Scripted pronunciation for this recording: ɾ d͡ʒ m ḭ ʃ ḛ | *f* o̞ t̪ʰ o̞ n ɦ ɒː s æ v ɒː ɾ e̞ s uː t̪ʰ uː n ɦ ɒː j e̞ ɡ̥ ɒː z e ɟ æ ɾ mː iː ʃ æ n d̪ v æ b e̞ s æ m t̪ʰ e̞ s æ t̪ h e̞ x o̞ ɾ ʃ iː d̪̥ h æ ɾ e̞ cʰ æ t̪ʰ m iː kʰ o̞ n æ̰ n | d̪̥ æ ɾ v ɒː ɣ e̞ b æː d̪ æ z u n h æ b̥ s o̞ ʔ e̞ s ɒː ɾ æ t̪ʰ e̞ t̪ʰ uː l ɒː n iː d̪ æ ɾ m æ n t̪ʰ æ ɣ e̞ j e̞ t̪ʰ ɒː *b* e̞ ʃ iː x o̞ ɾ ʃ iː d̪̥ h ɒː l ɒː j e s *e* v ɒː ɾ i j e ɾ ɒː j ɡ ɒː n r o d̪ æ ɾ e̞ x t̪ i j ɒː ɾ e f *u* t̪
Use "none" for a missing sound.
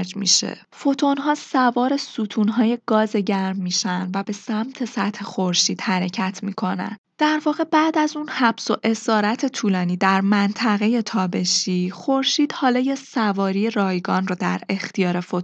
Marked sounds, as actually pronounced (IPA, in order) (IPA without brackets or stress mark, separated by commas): f, b, æ, o